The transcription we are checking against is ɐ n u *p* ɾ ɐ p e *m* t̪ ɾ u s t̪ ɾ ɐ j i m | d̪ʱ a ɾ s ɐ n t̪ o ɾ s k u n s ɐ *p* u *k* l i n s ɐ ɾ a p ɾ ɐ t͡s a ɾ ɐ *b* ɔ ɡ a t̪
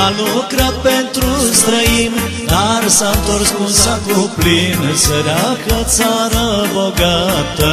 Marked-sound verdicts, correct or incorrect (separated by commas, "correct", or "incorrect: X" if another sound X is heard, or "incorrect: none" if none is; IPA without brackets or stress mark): incorrect: k, incorrect: n, incorrect: k, incorrect: p, correct